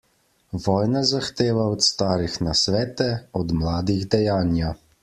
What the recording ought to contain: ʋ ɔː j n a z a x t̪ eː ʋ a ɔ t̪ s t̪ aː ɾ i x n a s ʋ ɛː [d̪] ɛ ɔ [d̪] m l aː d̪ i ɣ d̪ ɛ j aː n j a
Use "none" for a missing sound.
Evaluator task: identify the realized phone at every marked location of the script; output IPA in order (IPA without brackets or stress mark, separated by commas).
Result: t̪, d̪